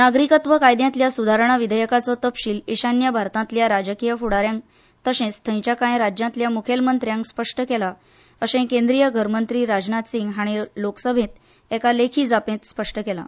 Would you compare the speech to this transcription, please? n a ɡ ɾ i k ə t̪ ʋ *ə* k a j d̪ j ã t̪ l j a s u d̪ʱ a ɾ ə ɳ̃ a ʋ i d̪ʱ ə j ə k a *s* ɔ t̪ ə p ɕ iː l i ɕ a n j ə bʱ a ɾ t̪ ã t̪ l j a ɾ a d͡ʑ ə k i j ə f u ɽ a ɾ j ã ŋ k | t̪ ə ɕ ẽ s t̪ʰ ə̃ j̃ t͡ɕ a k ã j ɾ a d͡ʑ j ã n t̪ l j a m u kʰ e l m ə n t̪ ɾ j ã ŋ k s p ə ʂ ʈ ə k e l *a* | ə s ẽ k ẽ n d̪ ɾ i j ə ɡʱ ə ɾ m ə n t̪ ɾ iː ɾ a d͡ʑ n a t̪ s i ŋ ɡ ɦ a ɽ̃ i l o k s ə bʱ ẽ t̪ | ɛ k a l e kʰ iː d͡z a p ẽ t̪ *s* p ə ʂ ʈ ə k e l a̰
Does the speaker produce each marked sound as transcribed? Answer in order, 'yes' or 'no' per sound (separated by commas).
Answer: yes, no, yes, yes